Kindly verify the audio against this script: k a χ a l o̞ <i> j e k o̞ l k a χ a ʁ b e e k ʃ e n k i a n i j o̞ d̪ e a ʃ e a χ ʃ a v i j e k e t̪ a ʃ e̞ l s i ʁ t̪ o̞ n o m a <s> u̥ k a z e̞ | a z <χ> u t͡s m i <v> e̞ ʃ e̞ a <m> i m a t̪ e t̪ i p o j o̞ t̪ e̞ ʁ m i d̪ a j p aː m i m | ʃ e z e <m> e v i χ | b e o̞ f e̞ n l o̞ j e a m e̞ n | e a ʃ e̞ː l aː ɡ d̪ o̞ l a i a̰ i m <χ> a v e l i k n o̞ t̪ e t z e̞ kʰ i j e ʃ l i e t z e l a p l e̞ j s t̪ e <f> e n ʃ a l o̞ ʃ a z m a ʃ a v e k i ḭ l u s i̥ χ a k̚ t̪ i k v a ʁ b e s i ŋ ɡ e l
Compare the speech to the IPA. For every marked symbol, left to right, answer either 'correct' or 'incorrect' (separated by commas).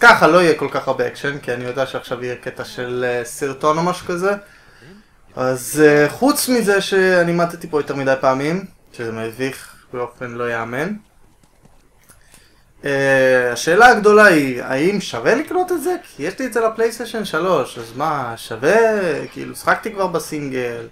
correct, incorrect, correct, incorrect, incorrect, correct, incorrect, incorrect